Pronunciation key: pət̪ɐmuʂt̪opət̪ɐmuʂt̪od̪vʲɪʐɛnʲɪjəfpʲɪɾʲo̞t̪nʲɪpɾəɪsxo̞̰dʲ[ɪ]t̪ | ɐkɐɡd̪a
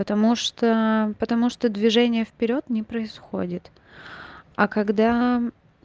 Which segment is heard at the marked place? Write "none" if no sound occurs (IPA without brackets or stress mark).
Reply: ɪ